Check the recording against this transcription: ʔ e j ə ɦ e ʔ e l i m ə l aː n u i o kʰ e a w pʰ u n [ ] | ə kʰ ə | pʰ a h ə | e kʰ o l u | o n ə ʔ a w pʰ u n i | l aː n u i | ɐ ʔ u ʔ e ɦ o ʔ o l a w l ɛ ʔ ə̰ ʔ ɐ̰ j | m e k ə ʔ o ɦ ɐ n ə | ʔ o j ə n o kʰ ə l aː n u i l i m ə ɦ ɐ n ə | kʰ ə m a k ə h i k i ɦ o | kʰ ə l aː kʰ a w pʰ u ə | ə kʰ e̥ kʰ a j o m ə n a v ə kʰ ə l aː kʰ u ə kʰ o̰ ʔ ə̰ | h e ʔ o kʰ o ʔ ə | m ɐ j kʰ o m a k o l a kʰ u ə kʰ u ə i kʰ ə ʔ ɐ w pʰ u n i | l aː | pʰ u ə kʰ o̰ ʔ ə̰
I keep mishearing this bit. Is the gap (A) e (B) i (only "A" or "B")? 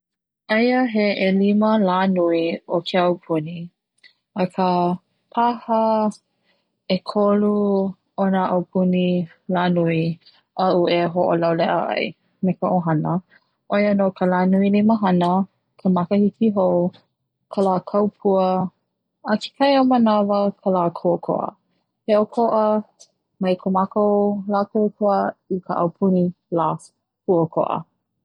B